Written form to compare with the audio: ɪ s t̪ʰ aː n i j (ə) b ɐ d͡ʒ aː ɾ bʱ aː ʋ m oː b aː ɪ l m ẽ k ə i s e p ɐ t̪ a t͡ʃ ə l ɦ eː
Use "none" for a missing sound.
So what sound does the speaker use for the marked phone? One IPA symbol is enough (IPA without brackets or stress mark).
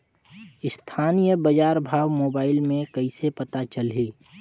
ə